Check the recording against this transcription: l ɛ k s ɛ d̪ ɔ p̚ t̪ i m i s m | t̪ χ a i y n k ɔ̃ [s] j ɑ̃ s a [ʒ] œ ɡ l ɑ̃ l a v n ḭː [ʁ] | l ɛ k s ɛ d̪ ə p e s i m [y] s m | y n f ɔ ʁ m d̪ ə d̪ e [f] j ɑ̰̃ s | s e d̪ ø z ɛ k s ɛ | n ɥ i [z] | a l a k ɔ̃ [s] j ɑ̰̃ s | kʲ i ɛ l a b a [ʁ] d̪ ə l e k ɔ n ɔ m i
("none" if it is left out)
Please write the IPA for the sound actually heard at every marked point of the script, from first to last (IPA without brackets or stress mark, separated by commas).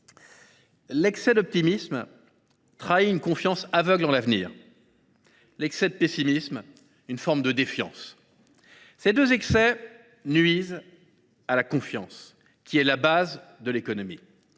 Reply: f, v, ʁ, i, f, z, f, z